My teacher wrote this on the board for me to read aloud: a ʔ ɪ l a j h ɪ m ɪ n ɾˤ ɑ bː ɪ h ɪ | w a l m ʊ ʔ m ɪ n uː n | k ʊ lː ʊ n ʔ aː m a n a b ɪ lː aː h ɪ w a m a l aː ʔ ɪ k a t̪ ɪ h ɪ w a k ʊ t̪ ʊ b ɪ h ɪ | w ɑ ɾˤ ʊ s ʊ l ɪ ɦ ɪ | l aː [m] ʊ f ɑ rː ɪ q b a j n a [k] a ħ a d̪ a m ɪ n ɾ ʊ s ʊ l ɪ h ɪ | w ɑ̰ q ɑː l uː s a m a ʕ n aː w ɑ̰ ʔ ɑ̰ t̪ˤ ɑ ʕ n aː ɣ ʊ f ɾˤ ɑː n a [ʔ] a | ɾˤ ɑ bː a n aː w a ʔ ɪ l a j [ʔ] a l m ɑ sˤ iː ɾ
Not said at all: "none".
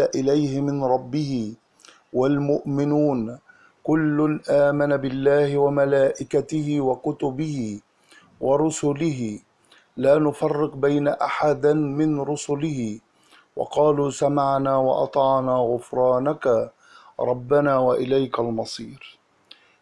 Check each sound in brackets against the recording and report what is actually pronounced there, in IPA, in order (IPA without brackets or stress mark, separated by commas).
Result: n, ʔ, k, k